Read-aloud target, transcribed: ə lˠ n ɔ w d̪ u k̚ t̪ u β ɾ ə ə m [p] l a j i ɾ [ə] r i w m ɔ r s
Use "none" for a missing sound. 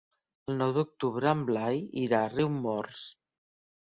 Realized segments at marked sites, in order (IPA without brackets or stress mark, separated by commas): b, a